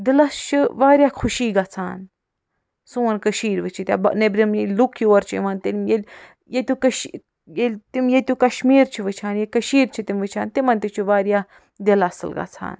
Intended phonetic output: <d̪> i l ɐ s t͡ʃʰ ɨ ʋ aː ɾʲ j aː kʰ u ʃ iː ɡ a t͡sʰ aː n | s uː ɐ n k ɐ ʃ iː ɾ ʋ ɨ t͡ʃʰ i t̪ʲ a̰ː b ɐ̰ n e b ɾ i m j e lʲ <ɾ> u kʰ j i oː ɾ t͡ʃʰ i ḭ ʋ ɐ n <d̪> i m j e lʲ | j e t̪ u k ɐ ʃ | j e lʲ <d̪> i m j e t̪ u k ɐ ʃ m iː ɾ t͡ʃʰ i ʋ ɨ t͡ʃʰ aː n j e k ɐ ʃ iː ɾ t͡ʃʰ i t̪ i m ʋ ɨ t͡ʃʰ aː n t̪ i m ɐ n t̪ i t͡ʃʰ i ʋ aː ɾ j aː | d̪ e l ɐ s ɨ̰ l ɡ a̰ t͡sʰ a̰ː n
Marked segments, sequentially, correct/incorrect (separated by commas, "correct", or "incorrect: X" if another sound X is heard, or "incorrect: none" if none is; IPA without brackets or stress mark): correct, incorrect: l, incorrect: t̪, incorrect: t̪